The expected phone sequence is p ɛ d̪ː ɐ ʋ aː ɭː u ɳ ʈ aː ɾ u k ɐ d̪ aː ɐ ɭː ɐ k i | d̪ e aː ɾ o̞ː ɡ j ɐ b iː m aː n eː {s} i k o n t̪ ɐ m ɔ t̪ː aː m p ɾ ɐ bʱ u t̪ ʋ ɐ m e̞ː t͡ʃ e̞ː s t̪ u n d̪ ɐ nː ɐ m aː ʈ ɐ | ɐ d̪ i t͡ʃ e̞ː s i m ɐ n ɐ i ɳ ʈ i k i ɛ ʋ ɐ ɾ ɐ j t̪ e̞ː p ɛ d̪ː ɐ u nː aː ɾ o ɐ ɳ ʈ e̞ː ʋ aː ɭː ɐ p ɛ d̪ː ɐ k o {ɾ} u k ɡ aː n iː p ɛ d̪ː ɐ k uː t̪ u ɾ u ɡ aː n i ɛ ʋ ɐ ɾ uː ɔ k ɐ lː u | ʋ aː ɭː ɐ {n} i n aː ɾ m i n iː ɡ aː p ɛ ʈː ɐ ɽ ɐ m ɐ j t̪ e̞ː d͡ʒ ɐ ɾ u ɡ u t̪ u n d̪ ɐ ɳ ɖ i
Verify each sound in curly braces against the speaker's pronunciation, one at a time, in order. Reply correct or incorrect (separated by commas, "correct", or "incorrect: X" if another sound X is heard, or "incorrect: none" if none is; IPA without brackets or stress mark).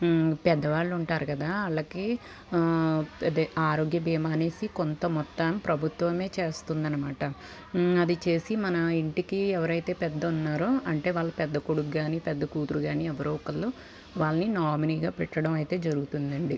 correct, incorrect: ɽ, correct